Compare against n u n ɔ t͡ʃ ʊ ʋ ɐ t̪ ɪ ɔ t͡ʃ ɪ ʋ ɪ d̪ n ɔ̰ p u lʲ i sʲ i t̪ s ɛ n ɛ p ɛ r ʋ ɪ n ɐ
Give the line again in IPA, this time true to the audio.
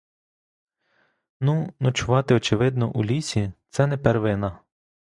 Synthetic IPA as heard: n u n ɔ t͡ʃ ʊ ʋ ɑ t̪ ɪ ɔ t͡ʃ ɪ ʋ ɪ d̪ n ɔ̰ ʔ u lʲ i sʲ i t̪ s ɛ n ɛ p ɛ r ʋ ɪ n ɐ